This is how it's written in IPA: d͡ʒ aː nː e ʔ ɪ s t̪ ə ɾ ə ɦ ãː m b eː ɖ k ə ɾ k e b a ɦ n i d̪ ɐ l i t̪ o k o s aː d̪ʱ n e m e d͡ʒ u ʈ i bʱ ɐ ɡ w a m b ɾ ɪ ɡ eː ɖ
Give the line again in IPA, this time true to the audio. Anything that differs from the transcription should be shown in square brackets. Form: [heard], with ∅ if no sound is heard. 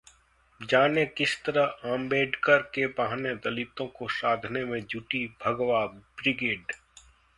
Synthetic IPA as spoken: d͡ʒ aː [n] e [k] ɪ s t̪ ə ɾ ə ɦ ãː m b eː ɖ k ə ɾ k e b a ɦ n [e] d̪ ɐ l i t̪ [õ] k o s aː d̪ʱ n e m [ẽ] d͡ʒ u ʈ i bʱ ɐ ɡ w a [∅] b ɾ ɪ ɡ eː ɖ